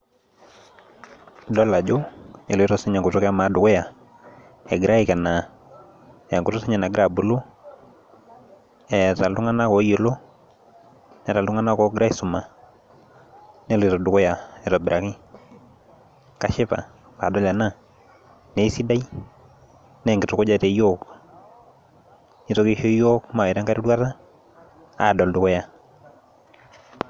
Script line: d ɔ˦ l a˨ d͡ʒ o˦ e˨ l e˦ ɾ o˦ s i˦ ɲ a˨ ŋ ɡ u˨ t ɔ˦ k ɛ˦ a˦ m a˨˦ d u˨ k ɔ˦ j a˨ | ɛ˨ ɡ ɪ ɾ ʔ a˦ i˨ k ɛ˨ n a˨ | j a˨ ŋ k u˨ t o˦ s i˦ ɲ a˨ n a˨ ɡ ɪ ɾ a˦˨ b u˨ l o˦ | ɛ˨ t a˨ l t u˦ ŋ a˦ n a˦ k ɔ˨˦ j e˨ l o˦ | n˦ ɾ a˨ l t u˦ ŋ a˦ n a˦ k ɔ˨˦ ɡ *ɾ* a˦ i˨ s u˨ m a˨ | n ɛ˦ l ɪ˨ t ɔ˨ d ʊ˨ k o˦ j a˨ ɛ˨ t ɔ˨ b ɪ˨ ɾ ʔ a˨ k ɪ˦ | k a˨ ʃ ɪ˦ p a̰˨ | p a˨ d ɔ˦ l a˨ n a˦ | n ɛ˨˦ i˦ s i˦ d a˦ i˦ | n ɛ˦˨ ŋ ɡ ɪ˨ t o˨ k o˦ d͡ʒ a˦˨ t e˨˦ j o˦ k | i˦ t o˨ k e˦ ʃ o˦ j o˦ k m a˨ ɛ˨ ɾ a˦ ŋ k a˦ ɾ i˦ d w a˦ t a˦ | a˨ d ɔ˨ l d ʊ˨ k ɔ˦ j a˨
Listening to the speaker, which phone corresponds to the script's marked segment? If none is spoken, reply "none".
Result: ɾ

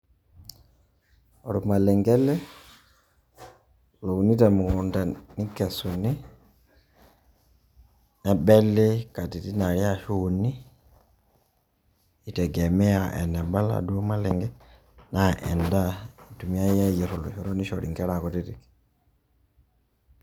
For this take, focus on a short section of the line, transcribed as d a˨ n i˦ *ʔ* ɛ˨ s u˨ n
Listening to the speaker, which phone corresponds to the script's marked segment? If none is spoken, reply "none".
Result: k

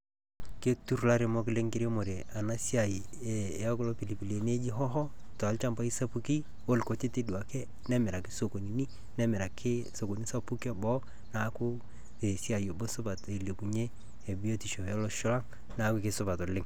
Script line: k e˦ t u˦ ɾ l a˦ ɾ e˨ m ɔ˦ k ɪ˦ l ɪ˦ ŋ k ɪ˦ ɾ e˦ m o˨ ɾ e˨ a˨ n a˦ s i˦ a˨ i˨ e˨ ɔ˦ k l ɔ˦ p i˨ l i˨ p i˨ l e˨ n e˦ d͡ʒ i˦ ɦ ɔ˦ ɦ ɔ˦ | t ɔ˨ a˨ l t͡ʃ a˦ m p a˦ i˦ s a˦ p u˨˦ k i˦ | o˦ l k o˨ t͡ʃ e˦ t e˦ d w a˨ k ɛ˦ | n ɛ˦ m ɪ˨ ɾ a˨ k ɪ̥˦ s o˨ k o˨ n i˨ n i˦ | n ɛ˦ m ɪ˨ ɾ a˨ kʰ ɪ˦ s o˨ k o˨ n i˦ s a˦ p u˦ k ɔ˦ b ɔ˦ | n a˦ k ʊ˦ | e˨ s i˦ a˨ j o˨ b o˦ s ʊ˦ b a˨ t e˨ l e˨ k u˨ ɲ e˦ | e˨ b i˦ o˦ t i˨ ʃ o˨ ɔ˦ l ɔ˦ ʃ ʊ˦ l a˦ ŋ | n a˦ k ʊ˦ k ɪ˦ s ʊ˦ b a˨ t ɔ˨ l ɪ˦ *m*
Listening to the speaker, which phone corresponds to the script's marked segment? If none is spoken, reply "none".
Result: ŋ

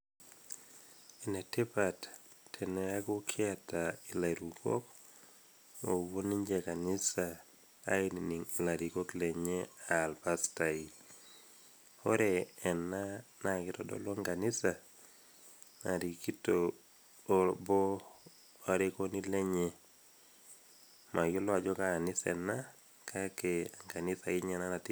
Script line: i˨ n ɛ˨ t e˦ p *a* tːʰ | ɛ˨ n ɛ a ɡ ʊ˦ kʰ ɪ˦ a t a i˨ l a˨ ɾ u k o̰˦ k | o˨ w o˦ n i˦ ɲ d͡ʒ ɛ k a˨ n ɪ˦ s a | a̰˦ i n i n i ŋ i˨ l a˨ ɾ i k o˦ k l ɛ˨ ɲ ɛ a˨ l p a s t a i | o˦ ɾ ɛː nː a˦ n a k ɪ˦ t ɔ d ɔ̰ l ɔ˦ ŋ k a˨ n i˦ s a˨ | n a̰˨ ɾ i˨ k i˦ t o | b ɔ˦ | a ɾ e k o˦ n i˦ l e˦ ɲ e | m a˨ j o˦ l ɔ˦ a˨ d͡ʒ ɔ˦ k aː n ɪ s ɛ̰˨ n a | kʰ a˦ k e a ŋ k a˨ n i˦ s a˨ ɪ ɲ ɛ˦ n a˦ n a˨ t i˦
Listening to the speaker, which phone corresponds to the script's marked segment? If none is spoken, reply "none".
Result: a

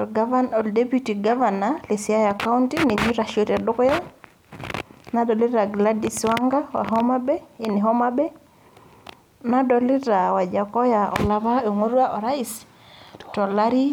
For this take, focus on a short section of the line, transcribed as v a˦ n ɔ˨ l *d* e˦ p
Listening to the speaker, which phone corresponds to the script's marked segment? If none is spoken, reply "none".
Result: d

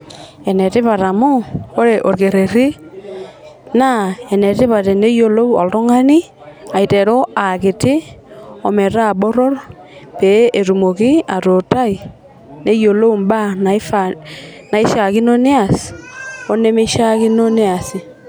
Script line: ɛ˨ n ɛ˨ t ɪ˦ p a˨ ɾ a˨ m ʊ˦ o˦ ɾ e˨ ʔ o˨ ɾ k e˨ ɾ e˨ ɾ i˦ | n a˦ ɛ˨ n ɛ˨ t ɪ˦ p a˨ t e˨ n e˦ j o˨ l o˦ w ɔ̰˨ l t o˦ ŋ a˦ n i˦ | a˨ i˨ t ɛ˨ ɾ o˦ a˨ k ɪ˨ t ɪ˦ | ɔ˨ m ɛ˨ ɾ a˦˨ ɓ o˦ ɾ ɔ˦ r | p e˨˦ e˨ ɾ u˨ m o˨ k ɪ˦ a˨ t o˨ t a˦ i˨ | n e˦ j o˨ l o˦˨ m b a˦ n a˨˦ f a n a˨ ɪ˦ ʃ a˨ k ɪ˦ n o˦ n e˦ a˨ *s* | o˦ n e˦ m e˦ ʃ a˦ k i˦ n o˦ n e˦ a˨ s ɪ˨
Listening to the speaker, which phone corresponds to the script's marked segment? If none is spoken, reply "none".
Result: s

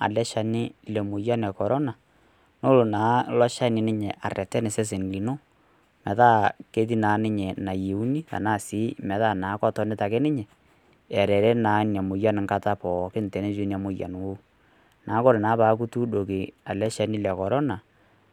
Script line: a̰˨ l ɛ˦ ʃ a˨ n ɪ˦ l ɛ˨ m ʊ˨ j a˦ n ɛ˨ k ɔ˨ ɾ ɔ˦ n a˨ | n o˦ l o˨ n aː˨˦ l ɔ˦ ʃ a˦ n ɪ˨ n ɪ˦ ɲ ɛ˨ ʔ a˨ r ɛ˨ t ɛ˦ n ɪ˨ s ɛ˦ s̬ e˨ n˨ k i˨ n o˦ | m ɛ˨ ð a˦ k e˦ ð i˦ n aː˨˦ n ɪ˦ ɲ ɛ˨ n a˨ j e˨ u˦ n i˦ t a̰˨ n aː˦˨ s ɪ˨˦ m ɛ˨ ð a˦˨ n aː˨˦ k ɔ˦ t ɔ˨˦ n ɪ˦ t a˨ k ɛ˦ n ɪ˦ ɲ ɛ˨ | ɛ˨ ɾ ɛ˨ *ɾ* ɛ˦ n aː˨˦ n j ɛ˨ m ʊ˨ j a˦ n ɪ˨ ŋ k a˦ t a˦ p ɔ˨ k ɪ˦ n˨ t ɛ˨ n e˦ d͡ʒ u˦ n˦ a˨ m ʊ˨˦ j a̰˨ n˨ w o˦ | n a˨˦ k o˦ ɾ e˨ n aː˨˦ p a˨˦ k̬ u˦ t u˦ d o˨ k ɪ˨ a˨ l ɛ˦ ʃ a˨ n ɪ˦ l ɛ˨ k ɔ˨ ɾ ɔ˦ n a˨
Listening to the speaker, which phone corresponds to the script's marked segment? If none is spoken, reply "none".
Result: ɾ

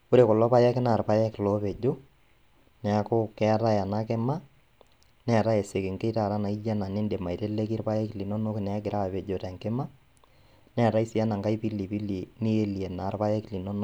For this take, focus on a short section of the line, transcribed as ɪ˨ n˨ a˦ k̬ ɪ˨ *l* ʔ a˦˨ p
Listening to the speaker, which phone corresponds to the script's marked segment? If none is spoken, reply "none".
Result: ɾ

